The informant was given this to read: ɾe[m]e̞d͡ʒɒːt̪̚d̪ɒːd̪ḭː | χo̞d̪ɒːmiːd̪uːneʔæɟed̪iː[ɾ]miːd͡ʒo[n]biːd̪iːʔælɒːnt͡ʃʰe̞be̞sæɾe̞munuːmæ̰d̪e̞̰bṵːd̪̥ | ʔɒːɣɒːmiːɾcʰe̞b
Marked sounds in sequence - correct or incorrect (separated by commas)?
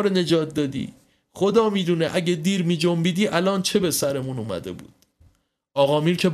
incorrect, correct, incorrect